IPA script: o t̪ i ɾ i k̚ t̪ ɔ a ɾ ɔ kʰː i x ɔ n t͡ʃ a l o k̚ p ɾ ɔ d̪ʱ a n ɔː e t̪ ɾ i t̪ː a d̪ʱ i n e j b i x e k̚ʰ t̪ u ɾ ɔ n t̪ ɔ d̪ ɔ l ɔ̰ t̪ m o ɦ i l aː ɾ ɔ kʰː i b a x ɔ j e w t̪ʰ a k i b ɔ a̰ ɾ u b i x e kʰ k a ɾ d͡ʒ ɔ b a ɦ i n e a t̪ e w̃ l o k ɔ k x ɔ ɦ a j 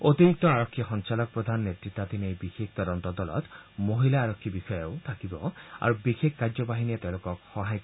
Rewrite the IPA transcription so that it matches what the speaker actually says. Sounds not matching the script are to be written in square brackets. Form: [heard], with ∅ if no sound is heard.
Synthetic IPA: o t̪ i ɾ i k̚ t̪ ɔ a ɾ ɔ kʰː i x ɔ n t͡ʃ a l [ɔ] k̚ p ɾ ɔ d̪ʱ a n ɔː e t̪ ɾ i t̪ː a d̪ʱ i n e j b i x e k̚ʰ t̪ [ɔ] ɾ ɔ n t̪ ɔ d̪ ɔ l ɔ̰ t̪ m o ɦ i l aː ɾ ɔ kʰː i b [i] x ɔ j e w t̪ʰ a k i b ɔ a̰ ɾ u b i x e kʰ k a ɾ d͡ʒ ɔ b a ɦ i n [i] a t̪ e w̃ l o k ɔ k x ɔ ɦ a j

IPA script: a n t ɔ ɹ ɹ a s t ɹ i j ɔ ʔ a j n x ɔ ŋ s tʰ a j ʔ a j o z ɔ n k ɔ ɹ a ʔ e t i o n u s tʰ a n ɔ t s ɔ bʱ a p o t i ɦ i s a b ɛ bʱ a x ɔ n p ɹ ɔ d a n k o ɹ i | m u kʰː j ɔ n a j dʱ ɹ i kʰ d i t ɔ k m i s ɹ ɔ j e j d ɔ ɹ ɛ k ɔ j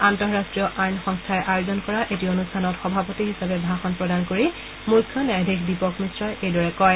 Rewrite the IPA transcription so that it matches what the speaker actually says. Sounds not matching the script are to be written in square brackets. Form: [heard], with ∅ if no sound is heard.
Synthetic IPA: a n t ɔ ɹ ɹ a s t ɹ i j ɔ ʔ a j n x ɔ ŋ s tʰ a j ʔ a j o z ɔ n k ɔ ɹ a ʔ e t i o n u s tʰ a n ɔ t [x] ɔ bʱ a p o t i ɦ i s a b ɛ bʱ a x ɔ n p ɹ ɔ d a n k o ɹ i | m u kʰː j ɔ n a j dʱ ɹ i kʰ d i [p] ɔ k m i s ɹ ɔ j e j d ɔ ɹ ɛ k ɔ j

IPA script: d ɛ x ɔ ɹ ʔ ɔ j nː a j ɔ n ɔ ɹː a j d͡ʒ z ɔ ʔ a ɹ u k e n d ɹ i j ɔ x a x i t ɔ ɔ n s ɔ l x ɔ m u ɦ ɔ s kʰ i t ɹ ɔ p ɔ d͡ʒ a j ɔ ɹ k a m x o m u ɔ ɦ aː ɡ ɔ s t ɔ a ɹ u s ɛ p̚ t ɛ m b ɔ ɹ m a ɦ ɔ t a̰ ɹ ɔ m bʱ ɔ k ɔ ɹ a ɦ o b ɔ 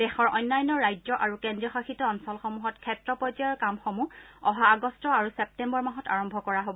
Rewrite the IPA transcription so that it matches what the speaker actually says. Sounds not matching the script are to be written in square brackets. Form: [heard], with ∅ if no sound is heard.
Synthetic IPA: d ɛ x ɔ ɹ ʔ ɔ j nː a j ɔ n ɔ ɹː a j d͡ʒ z ɔ ʔ a ɹ u k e n d ɹ i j ɔ x a x i t ɔ ɔ n s ɔ l x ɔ m u ɦ ɔ [t] kʰ [ɛ] t ɹ ɔ p ɔ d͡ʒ a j ɔ ɹ k a m x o m u ɔ ɦ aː ɡ ɔ s t ɔ a ɹ u s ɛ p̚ t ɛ m b ɔ ɹ m a ɦ ɔ t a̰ ɹ ɔ m bʱ ɔ k ɔ ɹ a ɦ o b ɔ

